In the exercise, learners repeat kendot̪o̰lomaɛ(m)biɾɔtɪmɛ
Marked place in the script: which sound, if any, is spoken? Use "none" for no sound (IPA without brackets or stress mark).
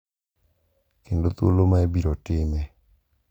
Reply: none